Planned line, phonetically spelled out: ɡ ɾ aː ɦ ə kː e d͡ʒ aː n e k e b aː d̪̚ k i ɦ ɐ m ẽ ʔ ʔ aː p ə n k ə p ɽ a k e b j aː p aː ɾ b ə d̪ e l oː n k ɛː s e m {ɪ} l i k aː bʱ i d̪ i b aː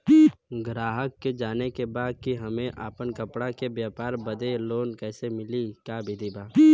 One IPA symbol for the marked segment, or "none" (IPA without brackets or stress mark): ɪ